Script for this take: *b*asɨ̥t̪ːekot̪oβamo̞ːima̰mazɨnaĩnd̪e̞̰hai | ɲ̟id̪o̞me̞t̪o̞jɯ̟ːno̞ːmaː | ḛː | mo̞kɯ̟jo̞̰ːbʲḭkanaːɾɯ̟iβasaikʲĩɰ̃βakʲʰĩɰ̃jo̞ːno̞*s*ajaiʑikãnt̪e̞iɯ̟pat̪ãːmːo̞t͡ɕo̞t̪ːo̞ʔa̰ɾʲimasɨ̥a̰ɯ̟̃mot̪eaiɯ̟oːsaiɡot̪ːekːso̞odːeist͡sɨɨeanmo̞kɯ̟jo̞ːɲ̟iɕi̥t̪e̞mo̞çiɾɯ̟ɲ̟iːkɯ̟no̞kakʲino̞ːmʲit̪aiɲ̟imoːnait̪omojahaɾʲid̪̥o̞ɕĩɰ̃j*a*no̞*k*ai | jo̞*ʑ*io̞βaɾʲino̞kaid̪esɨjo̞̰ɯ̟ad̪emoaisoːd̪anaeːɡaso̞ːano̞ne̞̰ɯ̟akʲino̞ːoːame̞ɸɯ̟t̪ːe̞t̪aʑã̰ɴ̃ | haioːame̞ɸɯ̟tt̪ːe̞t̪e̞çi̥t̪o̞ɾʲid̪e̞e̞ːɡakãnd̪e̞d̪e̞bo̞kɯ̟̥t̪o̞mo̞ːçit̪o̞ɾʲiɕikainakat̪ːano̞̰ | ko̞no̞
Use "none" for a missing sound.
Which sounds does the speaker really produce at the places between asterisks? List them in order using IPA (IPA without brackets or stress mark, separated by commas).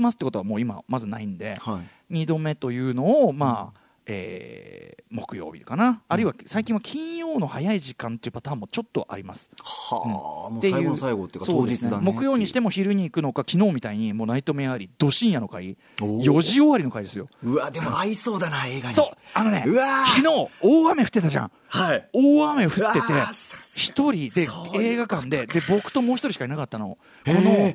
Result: m, h, a, k, ʑ